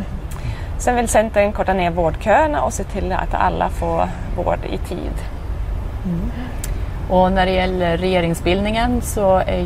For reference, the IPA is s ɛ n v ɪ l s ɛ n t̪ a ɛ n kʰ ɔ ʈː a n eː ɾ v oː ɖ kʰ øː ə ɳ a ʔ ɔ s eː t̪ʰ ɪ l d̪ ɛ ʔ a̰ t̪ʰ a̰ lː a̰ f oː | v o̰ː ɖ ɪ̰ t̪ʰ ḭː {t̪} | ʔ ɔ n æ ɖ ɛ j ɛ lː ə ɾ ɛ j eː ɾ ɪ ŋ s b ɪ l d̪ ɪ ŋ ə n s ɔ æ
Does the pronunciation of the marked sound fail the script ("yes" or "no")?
yes